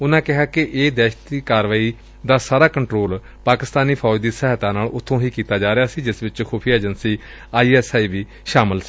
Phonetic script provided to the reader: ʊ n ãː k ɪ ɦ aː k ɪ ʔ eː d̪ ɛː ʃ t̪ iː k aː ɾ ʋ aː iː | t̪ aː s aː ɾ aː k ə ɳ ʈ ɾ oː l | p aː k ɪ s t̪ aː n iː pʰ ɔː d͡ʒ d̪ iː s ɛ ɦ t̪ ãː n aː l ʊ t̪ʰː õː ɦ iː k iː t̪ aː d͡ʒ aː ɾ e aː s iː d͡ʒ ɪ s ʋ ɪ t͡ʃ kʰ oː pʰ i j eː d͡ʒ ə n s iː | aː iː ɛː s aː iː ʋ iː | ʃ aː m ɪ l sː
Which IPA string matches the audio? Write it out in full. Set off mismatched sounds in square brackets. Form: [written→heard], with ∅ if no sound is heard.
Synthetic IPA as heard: ʊ n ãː k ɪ ɦ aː k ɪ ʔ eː d̪ ɛː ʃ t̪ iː k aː ɾ ʋ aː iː | [t̪→d̪] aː s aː ɾ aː k ə ɳ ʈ ɾ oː l | p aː k ɪ s t̪ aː n iː pʰ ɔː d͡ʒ d̪ iː s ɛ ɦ t̪ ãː n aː l ʊ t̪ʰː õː ɦ iː k iː t̪ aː d͡ʒ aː ɾ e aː s iː d͡ʒ ɪ s ʋ ɪ t͡ʃ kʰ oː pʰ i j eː d͡ʒ ə n s iː | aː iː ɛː s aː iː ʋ iː | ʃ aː m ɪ l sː